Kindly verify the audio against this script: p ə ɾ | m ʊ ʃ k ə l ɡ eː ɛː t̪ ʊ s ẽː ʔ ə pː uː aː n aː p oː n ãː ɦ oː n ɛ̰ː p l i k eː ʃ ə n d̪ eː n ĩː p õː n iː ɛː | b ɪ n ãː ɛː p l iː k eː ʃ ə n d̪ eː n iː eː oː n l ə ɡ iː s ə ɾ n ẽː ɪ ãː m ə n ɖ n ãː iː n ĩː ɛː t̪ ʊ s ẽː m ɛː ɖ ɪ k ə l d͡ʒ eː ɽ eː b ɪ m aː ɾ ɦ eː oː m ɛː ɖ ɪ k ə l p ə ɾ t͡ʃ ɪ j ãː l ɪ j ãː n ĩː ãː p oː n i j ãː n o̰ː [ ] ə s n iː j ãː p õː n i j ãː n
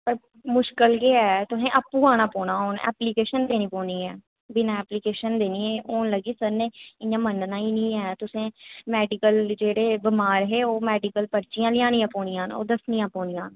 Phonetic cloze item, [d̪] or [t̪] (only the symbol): d̪